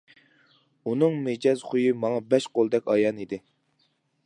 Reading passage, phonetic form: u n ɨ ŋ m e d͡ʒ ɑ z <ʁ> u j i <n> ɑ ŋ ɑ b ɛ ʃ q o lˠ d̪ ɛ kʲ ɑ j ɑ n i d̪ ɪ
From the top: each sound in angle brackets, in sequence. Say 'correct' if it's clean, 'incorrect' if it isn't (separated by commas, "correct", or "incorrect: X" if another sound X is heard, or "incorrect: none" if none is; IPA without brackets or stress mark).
incorrect: χ, incorrect: m